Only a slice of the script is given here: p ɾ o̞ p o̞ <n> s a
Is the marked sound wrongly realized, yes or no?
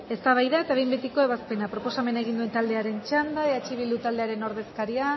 yes